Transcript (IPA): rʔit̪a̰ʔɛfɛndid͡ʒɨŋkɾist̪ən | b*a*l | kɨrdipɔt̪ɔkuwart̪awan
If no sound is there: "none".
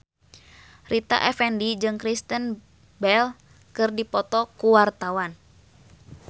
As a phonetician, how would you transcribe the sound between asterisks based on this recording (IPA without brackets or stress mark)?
ɛ